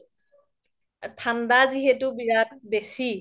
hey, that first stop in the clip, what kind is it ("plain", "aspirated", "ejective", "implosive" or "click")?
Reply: aspirated